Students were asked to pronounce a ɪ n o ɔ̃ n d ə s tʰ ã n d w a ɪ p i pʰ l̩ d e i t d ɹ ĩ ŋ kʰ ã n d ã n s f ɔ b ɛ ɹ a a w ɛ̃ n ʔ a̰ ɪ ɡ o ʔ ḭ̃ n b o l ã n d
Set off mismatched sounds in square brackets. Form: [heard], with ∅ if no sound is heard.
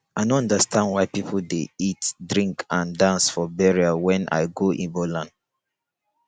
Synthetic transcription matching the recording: a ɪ n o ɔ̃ n d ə s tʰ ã n d w a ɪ p i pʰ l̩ d e i t d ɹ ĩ ŋ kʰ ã n d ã n s f ɔ b ɛ ɹ [i] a w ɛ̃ n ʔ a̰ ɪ ɡ o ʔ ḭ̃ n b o l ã n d